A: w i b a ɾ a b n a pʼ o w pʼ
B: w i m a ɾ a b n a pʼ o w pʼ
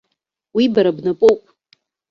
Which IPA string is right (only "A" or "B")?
A